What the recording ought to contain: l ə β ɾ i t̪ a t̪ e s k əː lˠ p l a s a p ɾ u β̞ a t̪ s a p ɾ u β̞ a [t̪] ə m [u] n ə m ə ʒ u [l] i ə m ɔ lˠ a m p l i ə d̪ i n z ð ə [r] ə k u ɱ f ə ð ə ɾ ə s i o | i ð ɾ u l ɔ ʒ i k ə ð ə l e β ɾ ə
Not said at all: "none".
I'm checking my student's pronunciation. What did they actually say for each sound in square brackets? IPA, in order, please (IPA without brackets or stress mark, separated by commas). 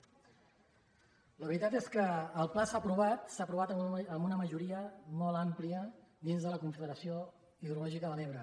t̪, u, ɾ, l